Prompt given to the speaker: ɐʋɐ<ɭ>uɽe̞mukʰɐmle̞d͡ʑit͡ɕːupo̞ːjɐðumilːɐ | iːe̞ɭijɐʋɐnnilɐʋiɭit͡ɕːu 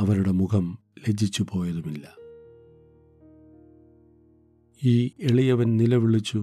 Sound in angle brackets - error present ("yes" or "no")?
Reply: yes